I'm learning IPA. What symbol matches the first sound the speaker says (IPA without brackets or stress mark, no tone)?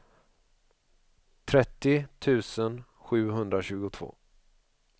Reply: t̪ʰ